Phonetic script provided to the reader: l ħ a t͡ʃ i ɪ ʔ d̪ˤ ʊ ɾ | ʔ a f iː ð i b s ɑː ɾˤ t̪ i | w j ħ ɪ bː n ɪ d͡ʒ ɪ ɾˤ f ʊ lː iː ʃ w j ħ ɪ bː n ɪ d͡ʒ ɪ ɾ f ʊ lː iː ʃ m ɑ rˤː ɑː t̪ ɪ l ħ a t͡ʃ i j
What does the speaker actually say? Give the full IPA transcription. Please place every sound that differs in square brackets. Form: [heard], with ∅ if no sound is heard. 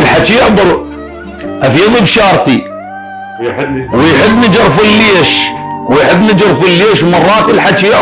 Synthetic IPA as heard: l ħ a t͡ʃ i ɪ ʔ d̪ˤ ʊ ɾ | ʔ a f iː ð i b [ʃ] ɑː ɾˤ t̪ i | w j ħ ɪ bː n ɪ d͡ʒ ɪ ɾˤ f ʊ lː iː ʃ w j ħ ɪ bː n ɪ d͡ʒ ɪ ɾ f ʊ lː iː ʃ m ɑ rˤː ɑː t̪ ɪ l ħ a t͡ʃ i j

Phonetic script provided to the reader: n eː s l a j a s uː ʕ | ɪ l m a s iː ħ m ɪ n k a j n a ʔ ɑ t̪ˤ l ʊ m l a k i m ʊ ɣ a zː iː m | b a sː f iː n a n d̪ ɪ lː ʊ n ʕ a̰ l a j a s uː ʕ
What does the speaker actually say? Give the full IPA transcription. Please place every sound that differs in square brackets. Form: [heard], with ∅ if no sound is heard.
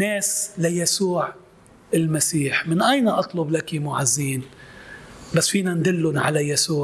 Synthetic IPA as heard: n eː s l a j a s uː ʕ | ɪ l m a s iː ħ m ɪ n [ʔ] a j n a ʔ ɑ t̪ˤ l ʊ [b] l a k i m ʊ [ʕ] a zː iː [n] | b a sː f iː n a n d̪ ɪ lː ʊ n ʕ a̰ l a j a s uː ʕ

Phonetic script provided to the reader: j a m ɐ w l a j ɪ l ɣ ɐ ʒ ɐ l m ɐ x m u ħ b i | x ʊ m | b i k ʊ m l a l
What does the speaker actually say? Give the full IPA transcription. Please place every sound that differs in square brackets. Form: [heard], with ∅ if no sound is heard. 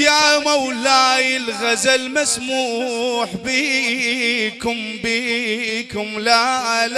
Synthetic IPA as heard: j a m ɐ w l a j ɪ l ɣ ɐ [z] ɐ l m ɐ [s] m u ħ b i | [k] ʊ m | b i k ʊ m l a l

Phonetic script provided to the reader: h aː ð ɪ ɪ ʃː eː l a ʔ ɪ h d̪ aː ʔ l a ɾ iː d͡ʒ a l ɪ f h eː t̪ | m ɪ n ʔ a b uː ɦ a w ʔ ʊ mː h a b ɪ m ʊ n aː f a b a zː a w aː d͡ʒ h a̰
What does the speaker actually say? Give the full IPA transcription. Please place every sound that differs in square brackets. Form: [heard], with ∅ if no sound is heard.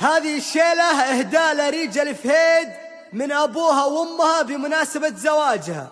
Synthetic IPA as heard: h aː ð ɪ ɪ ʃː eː l a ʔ ɪ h d̪ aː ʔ l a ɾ iː d͡ʒ a l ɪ f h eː [d̪] | m ɪ n ʔ a b uː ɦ a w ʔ ʊ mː h a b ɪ m ʊ n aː [s] a b a [z] a w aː d͡ʒ h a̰

